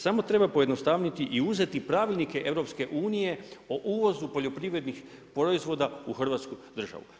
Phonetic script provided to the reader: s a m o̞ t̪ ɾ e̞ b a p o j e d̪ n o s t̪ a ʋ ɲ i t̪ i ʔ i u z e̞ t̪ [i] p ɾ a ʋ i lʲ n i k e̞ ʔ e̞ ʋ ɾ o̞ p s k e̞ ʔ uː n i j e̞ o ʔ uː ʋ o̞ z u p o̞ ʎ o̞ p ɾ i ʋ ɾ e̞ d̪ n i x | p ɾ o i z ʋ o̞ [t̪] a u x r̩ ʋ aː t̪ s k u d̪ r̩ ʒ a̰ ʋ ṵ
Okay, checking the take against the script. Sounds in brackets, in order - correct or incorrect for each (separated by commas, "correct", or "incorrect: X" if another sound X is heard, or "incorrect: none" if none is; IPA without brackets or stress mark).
correct, incorrect: d̪